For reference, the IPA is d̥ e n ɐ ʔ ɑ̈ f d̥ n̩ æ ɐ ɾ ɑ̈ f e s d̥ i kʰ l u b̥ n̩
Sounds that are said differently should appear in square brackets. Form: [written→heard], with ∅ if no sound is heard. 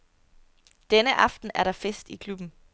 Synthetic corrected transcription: d̥ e n [ɐ→ə] ʔ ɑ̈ f d̥ n̩ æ ɐ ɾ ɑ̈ f e s d̥ i kʰ l u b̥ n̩